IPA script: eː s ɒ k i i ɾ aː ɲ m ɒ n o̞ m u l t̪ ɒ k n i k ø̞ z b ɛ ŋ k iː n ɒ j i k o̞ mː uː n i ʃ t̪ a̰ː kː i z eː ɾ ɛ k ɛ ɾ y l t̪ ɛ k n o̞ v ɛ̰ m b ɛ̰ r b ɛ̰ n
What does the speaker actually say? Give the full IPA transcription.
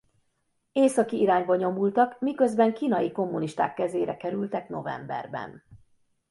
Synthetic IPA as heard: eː s ɒ k i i ɾ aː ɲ b ɒ ɲ o̞ m u l t̪ ɒ k m i k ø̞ z b ɛ ŋ k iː n ɒ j i k o̞ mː u n i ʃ t̪ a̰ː kː ɛ z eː ɾ ɛ k ɛ ɾ y l t̪ ɛ k n o̞ v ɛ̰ m b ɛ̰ r b ɛ̰ n